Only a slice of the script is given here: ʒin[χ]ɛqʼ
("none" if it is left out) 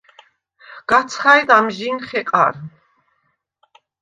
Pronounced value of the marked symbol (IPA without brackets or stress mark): χ